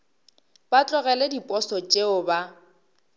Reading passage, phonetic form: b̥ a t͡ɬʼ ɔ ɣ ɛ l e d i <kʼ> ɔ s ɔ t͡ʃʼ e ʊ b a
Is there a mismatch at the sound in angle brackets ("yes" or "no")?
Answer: yes